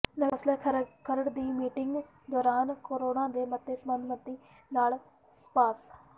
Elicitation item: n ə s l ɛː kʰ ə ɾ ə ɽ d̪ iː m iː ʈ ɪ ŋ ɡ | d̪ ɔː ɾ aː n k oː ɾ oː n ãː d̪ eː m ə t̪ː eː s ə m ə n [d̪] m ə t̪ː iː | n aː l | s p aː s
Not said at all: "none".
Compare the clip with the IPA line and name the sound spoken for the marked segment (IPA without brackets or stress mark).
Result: d̪